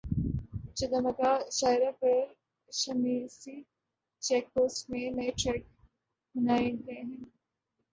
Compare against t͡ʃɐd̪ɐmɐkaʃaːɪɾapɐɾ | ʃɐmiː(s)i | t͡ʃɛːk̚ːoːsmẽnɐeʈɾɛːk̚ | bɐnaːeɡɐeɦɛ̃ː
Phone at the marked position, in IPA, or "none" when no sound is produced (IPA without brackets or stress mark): s